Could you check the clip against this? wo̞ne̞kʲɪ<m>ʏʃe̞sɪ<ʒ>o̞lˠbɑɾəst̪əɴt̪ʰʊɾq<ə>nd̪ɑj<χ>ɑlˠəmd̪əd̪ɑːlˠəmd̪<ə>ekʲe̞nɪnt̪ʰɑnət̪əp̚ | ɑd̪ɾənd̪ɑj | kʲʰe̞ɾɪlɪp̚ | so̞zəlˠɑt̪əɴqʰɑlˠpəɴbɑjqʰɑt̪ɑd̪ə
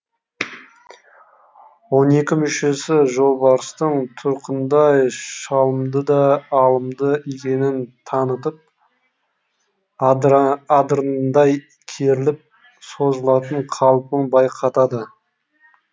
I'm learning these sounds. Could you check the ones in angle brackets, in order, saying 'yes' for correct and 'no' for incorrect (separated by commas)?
yes, yes, yes, no, yes